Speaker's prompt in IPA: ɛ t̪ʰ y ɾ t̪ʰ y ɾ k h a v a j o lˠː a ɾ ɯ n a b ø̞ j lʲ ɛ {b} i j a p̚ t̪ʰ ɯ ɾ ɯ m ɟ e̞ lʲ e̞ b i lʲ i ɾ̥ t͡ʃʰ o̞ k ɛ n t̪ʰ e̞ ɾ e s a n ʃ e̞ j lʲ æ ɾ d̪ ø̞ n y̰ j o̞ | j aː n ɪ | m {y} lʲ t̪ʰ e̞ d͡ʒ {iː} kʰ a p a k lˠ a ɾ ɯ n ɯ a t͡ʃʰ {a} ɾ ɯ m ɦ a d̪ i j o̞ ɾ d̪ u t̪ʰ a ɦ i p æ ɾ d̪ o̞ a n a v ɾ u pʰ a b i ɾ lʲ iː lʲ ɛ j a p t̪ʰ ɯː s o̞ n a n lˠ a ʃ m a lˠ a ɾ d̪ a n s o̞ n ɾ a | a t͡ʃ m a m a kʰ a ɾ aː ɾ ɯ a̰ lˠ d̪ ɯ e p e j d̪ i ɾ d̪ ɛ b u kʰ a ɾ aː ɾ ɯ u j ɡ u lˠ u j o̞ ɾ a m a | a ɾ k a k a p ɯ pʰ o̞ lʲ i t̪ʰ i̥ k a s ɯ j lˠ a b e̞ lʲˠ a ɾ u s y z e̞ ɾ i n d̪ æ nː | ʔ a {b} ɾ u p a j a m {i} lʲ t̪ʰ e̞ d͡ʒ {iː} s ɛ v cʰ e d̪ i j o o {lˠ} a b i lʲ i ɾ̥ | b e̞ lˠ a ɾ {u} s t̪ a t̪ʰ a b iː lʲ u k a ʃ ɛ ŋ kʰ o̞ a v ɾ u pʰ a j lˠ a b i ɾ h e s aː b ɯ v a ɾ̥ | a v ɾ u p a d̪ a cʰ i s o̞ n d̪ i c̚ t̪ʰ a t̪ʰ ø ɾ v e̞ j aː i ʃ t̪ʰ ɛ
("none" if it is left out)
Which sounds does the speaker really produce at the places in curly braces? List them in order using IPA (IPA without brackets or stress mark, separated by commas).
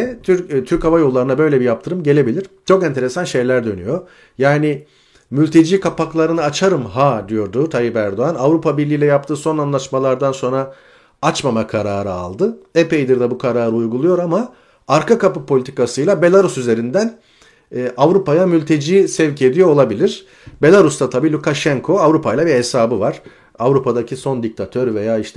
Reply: b, y, iː, a, v, y, iː, lˠ, u